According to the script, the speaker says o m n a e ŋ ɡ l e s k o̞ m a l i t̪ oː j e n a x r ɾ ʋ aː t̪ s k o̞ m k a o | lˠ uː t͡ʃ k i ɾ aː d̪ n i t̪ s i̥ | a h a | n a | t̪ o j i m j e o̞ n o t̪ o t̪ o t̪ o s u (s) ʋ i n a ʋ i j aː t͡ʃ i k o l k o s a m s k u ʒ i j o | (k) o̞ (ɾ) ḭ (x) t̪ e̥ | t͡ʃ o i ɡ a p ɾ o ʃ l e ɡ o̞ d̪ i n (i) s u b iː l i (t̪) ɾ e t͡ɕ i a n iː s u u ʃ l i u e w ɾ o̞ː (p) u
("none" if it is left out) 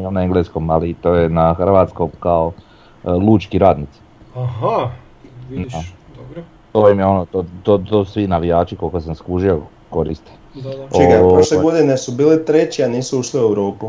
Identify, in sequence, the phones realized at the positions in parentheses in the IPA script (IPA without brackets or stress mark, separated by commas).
s, k, ɾ, s, e, t̪, p